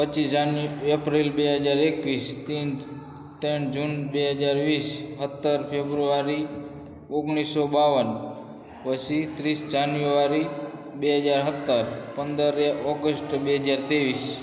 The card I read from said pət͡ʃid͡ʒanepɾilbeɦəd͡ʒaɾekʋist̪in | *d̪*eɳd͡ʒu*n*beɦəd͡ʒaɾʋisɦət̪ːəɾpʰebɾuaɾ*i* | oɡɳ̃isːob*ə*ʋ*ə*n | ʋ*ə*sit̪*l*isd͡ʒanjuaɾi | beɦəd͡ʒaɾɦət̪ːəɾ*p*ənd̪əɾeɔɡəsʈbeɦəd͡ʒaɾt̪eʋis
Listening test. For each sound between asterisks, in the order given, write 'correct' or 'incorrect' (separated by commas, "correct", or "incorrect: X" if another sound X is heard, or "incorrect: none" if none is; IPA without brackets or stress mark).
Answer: incorrect: t̪, correct, correct, incorrect: a, correct, correct, incorrect: ɾ, correct